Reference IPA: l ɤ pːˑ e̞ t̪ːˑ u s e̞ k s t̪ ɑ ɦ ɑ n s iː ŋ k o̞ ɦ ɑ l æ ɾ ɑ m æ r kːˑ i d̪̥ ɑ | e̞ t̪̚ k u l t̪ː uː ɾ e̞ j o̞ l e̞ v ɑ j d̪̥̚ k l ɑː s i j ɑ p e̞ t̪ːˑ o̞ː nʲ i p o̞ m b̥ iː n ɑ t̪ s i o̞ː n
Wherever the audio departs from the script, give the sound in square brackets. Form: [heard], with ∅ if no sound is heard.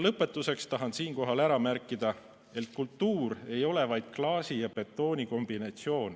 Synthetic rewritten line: l ɤ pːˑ e̞ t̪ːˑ u s e̞ k s t̪ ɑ ɦ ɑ n s iː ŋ k o̞ ɦ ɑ l æ ɾ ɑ m æ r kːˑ i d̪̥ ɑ | e̞ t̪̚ k u l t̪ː uː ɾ e̞ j o̞ l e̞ v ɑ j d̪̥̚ k l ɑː s i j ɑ p e̞ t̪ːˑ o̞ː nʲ i [k] o̞ m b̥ [i] n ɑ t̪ s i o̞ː n